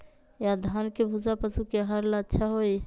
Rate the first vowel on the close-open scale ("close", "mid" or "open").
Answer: open